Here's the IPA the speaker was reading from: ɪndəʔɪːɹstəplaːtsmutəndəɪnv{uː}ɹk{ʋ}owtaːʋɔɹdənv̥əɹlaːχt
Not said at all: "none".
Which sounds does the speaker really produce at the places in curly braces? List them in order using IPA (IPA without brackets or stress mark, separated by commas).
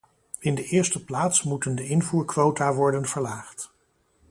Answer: uː, ʋ